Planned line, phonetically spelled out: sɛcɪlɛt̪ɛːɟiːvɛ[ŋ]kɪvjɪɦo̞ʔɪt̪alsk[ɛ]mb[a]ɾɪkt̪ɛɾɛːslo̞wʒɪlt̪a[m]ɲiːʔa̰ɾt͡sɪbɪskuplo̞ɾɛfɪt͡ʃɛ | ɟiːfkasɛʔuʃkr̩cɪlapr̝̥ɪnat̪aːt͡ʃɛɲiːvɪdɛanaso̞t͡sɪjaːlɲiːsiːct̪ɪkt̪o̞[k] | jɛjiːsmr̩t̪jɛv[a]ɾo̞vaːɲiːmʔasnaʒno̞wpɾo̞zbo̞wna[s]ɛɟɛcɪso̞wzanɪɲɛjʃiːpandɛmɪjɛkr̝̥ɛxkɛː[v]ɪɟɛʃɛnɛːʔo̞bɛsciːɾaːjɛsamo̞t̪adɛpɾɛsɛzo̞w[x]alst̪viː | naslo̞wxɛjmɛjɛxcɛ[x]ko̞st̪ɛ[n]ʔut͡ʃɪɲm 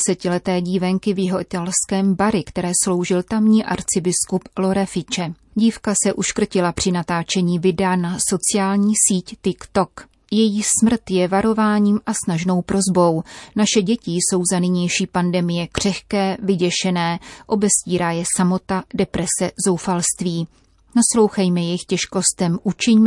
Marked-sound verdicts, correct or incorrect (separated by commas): correct, incorrect, correct, correct, correct, correct, incorrect, correct, incorrect, incorrect, incorrect